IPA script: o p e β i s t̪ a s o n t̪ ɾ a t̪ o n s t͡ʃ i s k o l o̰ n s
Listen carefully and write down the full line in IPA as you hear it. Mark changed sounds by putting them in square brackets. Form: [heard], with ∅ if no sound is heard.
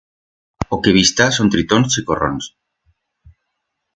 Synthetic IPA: o [k] e β i s t̪ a s o n t̪ ɾ [i] t̪ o n s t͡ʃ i [∅] k o [r] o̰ n s

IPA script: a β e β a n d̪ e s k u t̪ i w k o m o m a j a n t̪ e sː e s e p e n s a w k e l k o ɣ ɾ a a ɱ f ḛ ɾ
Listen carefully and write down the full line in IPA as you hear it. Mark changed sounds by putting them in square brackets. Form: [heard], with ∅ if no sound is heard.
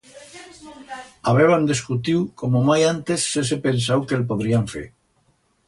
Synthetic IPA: a β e β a n d̪ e s k u t̪ i w k o m o m a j a n t̪ e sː e s e p e n s a w k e l [p] o [ð] ɾ [i] a ɱ f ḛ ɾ

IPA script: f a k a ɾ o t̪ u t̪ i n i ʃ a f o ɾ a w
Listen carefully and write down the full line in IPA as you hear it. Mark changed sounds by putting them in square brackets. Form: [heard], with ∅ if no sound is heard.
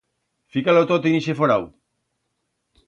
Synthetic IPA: f [i] k a [l] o t̪ [o] t̪ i n i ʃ [e] f o ɾ a w

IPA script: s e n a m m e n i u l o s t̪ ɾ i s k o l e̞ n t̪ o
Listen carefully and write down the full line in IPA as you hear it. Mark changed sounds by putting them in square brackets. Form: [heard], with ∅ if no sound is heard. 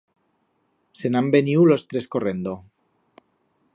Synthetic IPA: s e n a m [b] e n i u l o s t̪ ɾ [e] s k o [r] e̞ n [d̪] o

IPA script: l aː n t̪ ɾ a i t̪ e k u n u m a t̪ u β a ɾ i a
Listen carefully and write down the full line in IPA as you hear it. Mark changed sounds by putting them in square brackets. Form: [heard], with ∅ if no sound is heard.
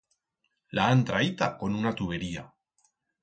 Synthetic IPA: l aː n t̪ ɾ a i t̪ [a] k [o] n u [n] a t̪ u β [e] ɾ i a

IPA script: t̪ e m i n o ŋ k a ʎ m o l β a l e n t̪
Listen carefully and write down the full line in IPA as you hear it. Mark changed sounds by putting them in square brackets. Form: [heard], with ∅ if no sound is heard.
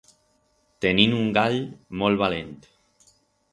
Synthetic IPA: t̪ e [n] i n [u] ŋ [ɡ] a ʎ m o l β a l e n t̪

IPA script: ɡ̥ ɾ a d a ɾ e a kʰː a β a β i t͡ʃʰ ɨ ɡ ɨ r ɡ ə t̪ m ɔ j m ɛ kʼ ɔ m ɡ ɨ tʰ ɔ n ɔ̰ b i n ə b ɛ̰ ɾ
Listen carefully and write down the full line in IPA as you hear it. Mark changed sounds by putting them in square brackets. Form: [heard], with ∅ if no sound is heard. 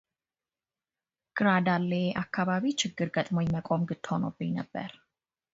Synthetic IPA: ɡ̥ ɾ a d a [l] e a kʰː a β a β i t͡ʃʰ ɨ ɡ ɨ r ɡ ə [t̪ʼ] m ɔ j m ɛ kʼ ɔ m ɡ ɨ tʰ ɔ n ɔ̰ b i n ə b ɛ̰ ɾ

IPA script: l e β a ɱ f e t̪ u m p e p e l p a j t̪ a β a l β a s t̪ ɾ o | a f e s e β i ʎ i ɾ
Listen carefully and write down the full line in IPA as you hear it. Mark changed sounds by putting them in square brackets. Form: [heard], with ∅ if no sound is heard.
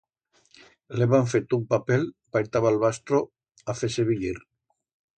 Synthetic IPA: l e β a ɱ f e t̪ u m p [a] p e l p a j t̪ a β a l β a s t̪ ɾ o | a f e s e β i ʎ i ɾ

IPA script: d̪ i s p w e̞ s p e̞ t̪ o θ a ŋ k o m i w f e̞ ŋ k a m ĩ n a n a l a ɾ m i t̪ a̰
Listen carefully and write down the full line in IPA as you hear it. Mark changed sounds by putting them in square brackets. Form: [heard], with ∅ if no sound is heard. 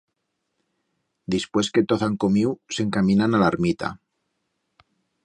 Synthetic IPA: d̪ i s p w e̞ s [k] e̞ t̪ o θ a ŋ k o m i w [s] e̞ ŋ k a m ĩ n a n a l a ɾ m i t̪ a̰

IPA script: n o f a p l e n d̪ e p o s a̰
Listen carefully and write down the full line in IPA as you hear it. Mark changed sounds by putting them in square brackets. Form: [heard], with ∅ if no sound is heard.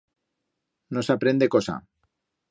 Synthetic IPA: n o [s] a p [ɾ] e n d̪ e [k] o s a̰

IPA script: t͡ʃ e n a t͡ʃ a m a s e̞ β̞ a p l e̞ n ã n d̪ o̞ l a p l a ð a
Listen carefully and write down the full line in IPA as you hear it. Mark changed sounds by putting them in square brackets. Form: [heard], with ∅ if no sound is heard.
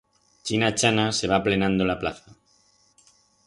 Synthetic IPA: t͡ʃ [i] n a t͡ʃ a [n] a s e̞ β̞ a p l e̞ n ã n d̪ o̞ l a p l a [θ] a

